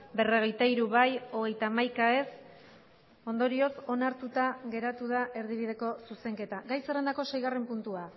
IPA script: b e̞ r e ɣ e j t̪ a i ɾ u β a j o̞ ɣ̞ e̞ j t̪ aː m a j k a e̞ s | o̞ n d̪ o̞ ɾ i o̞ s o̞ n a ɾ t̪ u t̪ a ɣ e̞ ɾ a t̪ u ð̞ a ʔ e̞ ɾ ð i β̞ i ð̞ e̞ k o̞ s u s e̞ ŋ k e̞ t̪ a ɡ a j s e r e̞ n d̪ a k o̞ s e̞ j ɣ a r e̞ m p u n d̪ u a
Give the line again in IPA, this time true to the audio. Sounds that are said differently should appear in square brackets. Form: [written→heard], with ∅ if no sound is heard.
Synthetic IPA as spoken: b e̞ r e ɣ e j t̪ a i ɾ u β a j o̞ ɣ̞ e̞ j t̪ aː m a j k a e̞ s | o̞ n d̪ o̞ ɾ i o̞ s o̞ n a ɾ t̪ u t̪ a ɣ e̞ ɾ a t̪ u ð̞ a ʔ e̞ ɾ ð i β̞ i ð̞ e̞ k o̞ s u s e̞ ŋ k e̞ t̪ a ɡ a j s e r e̞ n d̪ a k o̞ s e̞ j ɣ a r e̞ m p u n [d̪→t̪] u a